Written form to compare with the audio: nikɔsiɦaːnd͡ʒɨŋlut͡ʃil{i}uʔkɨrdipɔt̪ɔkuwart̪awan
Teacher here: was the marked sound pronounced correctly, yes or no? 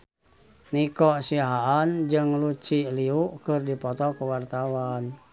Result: yes